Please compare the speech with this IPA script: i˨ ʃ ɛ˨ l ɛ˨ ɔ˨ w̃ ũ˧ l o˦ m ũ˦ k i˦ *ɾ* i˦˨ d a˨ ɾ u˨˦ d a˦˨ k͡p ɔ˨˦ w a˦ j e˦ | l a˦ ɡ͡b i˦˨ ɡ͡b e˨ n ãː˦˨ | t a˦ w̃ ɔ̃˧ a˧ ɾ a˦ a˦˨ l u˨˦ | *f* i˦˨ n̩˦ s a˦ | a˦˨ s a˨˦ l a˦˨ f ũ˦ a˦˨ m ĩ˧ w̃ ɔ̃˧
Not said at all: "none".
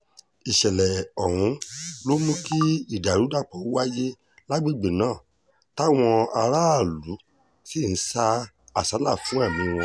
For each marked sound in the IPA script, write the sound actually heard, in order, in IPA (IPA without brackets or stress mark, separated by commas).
none, s